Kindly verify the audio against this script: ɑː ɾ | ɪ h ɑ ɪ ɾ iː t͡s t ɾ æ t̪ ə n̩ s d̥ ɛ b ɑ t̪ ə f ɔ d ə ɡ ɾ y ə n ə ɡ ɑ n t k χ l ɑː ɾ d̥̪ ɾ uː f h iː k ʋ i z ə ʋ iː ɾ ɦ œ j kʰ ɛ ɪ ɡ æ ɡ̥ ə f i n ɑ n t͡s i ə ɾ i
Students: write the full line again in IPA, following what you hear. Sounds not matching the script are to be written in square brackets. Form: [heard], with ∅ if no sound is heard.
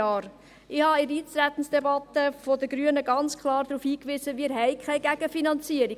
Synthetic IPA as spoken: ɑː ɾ | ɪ h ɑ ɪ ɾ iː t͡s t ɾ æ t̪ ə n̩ s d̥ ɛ b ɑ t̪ ə f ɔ d ə ɡ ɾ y ə n ə ɡ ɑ n [t͡s] k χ l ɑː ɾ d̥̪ ɾ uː f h iː k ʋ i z ə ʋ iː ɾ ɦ [ɛ] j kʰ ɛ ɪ ɡ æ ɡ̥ ə f i n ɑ n t͡s i ə ɾ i